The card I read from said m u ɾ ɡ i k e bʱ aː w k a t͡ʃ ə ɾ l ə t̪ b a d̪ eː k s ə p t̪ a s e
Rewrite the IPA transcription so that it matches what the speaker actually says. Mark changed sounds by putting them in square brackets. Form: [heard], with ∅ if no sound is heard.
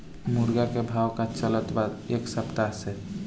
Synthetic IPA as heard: m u ɾ ɡ [a] k e bʱ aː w k a t͡ʃ ə [∅] l ə t̪ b a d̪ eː k s ə p t̪ a s e